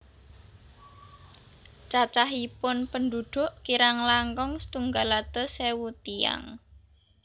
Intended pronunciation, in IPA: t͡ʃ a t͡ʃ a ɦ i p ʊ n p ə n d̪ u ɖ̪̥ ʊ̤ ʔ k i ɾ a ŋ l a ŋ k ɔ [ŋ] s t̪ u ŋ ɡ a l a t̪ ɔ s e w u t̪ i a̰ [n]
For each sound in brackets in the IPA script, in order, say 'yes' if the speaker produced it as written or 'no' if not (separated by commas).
yes, no